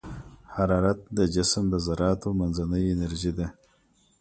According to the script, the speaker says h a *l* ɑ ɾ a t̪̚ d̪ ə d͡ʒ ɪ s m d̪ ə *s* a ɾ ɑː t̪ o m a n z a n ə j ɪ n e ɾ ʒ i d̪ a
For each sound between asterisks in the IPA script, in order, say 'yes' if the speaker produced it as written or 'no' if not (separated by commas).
no, no